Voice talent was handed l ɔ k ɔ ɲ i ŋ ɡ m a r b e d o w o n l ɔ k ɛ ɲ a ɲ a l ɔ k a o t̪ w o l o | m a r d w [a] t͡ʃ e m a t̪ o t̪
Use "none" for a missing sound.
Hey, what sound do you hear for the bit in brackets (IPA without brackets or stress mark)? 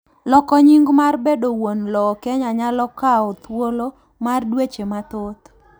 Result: e